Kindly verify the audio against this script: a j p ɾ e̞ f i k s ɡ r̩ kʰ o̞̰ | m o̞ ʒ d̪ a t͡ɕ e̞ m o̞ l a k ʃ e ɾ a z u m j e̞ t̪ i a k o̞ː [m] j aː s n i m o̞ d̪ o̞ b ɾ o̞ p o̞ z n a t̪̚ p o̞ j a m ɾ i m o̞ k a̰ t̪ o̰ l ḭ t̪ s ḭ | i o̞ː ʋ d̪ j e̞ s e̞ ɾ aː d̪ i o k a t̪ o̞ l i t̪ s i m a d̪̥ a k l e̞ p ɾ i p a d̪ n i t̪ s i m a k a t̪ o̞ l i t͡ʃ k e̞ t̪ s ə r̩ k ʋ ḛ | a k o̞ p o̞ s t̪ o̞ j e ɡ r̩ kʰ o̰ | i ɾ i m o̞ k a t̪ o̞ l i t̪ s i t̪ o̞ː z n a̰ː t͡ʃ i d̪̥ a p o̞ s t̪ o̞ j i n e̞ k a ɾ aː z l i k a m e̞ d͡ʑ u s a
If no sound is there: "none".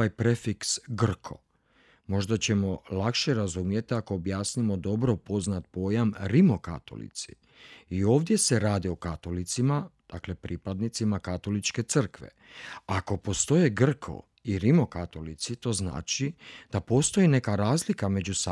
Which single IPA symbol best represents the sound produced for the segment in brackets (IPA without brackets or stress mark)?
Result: b